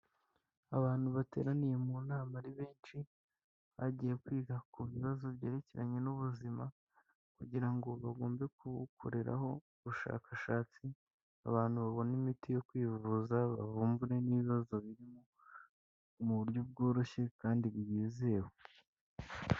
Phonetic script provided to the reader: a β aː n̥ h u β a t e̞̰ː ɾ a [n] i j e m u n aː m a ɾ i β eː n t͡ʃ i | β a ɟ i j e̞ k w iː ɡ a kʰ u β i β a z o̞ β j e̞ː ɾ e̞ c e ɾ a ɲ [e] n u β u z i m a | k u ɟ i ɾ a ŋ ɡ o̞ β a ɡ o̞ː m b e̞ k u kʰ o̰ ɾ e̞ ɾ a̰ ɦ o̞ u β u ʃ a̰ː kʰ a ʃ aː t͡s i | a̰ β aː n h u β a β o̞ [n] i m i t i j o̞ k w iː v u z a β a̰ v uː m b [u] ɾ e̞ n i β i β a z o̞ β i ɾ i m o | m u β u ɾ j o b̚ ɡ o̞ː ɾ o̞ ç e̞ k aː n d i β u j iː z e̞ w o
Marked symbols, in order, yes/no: yes, yes, yes, yes

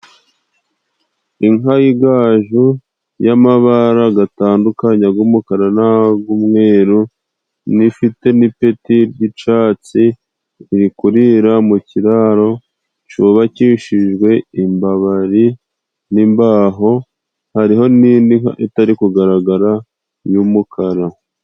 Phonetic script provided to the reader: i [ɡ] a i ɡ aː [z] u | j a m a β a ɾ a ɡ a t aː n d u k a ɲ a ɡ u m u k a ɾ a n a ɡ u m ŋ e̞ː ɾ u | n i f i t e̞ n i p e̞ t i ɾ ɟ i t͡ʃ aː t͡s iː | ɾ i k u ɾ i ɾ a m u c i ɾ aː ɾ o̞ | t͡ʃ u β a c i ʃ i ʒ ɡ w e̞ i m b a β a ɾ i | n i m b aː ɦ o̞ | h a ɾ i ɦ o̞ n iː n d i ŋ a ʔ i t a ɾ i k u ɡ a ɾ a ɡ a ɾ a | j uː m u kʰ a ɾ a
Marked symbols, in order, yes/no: no, no

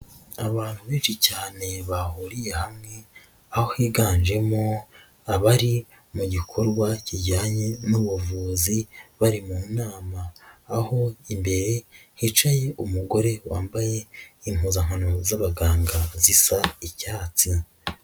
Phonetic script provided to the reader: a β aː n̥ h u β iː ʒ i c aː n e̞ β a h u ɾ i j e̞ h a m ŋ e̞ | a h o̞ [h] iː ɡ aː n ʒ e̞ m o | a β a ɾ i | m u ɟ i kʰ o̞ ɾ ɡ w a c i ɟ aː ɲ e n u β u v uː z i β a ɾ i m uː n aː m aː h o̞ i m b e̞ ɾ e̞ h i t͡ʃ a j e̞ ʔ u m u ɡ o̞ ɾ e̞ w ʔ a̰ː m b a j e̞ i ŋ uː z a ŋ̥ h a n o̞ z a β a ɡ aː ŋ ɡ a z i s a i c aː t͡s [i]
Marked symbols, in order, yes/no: yes, yes

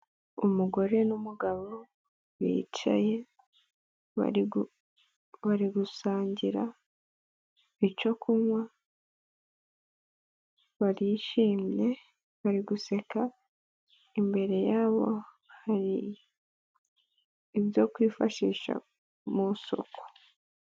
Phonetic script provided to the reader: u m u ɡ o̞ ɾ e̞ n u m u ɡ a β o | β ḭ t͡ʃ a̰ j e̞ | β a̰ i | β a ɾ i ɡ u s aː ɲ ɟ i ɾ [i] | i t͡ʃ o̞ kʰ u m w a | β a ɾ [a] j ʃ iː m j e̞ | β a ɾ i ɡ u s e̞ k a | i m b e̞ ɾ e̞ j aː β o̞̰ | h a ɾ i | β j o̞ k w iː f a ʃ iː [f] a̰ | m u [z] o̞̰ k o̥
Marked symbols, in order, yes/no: no, no, no, no

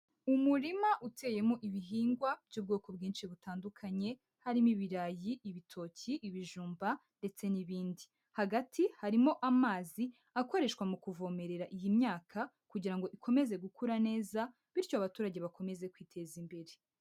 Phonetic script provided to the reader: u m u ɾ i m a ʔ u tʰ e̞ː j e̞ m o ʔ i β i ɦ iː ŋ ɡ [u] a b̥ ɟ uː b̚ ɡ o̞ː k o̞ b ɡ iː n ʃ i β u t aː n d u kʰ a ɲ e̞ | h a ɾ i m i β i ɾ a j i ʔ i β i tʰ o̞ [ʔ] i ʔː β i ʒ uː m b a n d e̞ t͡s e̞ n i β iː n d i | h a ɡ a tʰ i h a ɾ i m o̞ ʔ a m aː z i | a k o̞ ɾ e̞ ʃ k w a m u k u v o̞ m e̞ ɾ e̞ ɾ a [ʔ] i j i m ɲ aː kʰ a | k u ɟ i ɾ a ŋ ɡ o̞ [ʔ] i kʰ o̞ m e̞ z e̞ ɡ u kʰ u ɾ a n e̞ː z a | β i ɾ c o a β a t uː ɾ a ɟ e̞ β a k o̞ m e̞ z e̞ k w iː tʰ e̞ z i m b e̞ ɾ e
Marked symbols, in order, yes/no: no, no, yes, yes

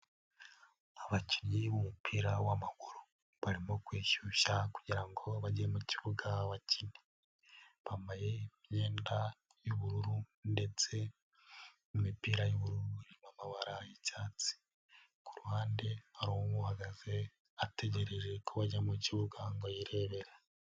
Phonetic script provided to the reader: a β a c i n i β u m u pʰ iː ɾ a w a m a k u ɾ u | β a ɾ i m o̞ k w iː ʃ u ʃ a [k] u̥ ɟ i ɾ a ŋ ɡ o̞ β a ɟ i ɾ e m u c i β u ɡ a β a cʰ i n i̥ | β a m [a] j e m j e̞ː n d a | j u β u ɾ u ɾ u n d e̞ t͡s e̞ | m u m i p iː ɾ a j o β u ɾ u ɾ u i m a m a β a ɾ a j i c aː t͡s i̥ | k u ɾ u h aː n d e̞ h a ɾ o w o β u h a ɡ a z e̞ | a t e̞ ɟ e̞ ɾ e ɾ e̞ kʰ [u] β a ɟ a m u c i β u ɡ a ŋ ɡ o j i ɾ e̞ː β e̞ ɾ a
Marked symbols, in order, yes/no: yes, yes, no

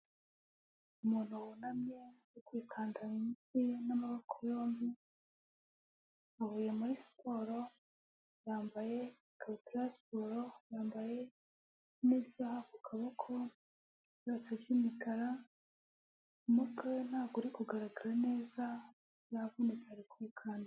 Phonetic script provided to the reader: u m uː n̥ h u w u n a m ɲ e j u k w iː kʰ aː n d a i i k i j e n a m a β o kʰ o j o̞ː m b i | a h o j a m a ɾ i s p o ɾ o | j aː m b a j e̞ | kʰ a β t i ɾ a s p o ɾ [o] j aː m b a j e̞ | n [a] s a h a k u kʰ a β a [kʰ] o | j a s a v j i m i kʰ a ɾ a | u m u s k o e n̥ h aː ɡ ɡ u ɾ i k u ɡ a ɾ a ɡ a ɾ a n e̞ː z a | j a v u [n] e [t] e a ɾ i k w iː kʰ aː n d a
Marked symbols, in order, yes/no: yes, no, yes, yes, no

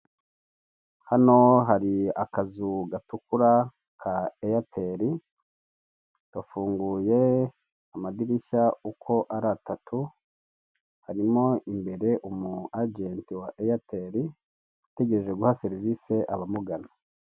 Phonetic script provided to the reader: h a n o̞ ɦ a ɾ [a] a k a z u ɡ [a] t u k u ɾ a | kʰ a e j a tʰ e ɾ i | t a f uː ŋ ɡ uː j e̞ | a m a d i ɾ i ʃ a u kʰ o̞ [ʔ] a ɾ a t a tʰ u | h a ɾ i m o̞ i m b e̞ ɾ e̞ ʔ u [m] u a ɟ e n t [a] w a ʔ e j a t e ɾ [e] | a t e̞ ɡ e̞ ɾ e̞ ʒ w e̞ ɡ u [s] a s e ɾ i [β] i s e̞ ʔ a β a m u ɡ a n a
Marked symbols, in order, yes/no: no, yes, yes, yes, no, no, no, no

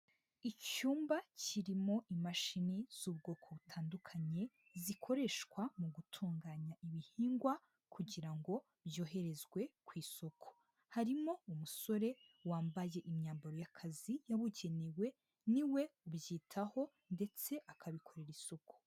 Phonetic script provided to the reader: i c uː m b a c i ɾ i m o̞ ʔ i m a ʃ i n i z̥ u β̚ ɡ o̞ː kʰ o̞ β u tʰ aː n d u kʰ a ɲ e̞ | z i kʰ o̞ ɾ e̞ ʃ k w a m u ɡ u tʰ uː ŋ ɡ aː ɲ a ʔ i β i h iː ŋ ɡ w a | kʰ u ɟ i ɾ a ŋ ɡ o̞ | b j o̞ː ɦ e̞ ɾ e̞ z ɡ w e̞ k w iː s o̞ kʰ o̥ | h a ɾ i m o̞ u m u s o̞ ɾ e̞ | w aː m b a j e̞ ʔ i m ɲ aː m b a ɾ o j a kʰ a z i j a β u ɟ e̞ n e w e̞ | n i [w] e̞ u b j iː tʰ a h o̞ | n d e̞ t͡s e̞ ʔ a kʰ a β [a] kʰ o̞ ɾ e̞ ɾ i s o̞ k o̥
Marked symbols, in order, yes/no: yes, no

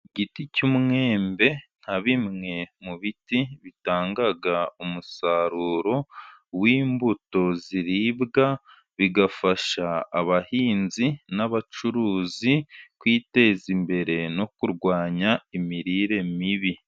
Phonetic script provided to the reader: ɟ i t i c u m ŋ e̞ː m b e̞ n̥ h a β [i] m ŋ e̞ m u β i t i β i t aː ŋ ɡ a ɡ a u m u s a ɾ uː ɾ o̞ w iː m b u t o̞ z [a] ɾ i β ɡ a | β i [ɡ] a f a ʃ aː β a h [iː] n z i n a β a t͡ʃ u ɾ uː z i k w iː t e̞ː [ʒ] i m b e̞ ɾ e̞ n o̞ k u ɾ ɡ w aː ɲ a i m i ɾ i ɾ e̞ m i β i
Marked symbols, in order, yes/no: yes, no, yes, yes, no

